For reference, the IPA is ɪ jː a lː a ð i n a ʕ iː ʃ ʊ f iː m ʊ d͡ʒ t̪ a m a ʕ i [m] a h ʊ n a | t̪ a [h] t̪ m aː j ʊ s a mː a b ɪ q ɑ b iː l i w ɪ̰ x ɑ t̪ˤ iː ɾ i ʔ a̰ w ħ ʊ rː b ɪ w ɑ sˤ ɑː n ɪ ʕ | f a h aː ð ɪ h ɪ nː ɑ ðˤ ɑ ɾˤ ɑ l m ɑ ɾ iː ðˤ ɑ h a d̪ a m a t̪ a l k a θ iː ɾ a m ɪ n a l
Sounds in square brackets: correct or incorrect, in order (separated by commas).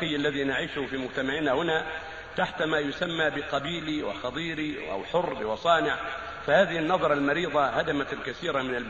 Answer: incorrect, incorrect